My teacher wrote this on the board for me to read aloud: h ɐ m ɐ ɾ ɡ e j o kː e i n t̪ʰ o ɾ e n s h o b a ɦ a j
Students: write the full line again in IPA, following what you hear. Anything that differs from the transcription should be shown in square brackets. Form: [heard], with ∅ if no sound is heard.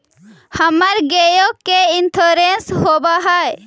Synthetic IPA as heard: h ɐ m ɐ ɾ ɡ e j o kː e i n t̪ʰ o ɾ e n s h o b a ɦ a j